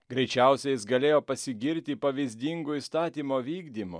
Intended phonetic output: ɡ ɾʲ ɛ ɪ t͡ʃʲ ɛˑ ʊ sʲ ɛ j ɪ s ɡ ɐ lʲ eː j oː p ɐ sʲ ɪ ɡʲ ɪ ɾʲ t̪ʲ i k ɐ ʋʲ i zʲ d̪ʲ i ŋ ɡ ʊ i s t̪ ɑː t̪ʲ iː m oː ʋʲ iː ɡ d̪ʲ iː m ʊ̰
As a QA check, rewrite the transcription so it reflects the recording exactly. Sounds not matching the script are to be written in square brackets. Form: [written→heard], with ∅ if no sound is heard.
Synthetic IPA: ɡ ɾʲ ɛ ɪ t͡ʃʲ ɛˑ ʊ sʲ ɛ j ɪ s ɡ ɐ lʲ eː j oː p ɐ sʲ ɪ ɡʲ ɪ ɾʲ t̪ʲ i [k→p] ɐ ʋʲ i zʲ d̪ʲ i ŋ ɡ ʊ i s t̪ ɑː t̪ʲ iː m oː ʋʲ iː ɡ d̪ʲ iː m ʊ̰